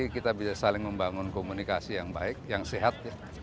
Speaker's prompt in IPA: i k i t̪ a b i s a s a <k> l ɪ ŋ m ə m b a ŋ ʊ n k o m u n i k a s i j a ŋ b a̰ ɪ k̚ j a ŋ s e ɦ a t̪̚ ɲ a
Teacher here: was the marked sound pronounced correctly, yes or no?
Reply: no